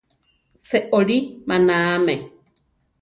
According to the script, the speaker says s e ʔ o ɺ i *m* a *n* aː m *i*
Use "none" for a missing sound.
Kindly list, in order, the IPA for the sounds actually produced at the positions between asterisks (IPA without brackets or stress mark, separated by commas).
m, n, e